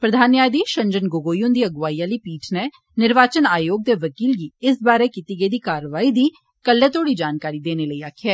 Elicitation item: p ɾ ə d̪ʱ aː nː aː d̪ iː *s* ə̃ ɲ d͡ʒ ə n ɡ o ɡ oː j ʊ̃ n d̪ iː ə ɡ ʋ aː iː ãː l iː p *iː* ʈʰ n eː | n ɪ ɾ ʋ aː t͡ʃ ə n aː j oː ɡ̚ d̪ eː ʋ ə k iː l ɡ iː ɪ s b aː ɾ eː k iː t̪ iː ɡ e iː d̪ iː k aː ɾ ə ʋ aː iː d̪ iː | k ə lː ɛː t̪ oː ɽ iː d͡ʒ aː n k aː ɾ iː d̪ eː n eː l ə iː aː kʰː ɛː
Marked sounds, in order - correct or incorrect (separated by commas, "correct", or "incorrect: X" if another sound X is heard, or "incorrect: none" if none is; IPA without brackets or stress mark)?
incorrect: ʃ, correct